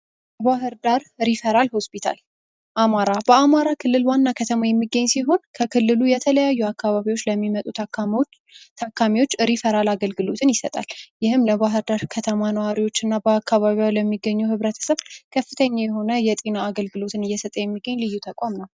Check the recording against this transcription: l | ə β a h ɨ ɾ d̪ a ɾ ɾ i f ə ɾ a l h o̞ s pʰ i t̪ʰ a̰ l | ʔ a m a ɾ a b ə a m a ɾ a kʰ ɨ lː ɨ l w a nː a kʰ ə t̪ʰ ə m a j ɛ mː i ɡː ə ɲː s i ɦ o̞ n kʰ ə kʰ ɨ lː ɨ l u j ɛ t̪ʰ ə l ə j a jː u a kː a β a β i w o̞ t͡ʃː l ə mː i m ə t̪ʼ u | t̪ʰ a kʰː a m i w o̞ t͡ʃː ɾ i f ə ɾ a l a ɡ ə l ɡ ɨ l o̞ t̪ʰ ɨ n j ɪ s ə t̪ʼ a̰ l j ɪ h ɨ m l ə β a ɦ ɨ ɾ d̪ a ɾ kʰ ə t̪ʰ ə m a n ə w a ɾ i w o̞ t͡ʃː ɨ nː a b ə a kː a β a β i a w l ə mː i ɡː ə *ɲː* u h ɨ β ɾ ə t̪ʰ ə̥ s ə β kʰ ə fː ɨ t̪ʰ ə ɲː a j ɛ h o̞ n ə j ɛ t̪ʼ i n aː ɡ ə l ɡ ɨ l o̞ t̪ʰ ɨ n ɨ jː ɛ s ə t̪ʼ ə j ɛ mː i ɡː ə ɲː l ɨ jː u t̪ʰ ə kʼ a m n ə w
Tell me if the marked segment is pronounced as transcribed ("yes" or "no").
yes